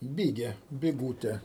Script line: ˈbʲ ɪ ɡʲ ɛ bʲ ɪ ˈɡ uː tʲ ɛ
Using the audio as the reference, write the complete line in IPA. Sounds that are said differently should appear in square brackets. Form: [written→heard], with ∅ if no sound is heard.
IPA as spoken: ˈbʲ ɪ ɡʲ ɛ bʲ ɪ ˈɡ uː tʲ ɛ